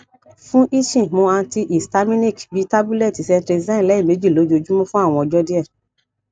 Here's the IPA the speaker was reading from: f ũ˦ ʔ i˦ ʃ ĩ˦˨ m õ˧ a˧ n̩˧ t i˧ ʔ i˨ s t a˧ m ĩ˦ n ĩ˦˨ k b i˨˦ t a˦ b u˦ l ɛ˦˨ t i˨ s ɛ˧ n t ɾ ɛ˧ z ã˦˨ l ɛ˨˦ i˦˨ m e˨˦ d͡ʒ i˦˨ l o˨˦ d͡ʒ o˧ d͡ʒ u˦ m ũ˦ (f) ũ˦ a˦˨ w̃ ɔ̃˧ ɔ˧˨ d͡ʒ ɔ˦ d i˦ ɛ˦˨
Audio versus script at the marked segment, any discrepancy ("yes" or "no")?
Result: no